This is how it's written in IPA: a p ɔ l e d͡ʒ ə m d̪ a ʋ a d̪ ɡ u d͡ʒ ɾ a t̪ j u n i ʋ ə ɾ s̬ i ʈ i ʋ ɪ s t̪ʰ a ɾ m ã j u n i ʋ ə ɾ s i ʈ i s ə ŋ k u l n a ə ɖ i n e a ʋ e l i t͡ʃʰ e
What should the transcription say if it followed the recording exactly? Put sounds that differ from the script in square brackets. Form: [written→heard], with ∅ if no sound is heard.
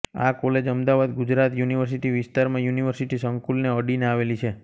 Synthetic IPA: a [p→k] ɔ l e d͡ʒ ə m d̪ a ʋ a d̪ ɡ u d͡ʒ ɾ a t̪ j u n i ʋ ə ɾ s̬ i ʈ i ʋ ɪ s [t̪ʰ→t̪] a ɾ m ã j u n i ʋ ə ɾ s i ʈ i s ə ŋ k u l n [a→e] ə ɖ i n e a ʋ e l i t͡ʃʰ e